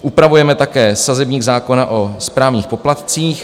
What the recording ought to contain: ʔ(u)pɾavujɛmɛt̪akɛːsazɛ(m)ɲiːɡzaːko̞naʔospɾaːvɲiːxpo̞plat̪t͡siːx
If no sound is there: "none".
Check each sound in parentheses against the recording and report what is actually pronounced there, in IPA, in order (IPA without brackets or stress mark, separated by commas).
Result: u, b